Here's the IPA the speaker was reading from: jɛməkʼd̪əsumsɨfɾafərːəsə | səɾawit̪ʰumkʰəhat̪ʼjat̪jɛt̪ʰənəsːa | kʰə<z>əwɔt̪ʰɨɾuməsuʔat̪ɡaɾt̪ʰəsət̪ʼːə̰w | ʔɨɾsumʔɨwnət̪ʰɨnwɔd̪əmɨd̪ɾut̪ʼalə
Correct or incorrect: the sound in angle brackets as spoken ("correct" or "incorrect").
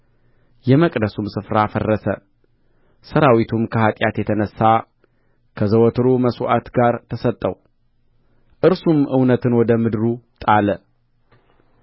correct